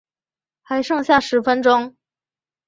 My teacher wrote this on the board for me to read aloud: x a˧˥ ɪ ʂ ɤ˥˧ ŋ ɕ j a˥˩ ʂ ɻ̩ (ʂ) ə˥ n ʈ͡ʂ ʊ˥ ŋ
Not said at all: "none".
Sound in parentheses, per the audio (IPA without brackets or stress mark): f